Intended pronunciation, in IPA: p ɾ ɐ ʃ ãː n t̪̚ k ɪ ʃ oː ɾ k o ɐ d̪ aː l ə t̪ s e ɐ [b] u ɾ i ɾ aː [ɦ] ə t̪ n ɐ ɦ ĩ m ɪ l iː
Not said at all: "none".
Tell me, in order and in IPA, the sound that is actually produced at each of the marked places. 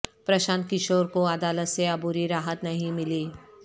b, ɦ

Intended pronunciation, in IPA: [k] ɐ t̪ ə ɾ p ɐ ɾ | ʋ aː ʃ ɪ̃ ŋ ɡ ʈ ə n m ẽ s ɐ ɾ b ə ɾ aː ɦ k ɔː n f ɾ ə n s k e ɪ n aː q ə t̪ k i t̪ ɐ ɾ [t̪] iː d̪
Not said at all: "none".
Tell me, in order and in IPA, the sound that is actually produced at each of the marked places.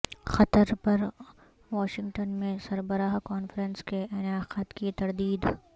x, d̪

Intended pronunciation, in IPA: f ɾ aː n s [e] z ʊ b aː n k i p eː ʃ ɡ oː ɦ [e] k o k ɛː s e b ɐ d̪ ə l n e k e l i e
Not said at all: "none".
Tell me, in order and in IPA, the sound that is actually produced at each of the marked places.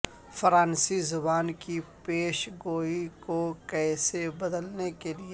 i, i

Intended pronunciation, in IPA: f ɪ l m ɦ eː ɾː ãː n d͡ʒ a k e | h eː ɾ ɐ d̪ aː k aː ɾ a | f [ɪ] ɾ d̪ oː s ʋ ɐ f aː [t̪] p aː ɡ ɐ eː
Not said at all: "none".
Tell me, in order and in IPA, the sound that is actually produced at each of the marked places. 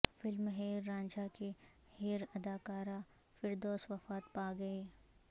ɪ, t̪

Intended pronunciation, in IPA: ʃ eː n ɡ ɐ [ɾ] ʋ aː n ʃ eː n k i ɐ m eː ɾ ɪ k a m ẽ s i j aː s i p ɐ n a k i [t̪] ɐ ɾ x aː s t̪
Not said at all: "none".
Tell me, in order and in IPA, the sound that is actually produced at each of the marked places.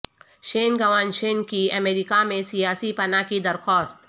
none, d̪

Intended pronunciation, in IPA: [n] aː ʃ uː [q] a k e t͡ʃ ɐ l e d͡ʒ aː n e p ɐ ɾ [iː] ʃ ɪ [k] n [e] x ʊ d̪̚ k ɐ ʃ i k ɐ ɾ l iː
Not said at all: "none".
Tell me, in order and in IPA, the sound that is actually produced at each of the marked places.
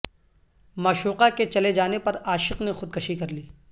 m, q, aː, q, e

